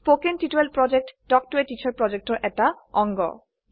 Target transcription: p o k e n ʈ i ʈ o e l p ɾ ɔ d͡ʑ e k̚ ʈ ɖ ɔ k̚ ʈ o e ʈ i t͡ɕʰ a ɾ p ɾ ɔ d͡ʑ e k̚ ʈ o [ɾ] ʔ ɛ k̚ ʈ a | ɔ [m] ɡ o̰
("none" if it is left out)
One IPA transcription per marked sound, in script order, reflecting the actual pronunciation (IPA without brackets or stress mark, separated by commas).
ɾ, ŋ